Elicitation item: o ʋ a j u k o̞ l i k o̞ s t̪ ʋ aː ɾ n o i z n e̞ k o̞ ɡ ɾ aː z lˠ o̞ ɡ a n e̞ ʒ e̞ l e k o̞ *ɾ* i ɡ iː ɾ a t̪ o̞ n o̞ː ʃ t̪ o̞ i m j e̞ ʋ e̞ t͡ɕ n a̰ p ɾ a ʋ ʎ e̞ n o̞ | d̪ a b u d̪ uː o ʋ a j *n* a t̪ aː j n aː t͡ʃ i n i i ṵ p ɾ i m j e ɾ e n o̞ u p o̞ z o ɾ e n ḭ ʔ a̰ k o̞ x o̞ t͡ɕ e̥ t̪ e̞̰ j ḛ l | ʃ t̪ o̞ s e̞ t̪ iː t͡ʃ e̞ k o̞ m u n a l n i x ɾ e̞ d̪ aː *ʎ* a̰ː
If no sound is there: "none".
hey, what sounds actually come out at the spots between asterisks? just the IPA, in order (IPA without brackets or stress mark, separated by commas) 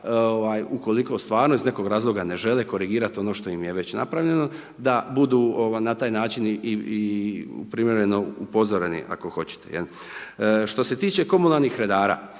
ɾ, n, ɾ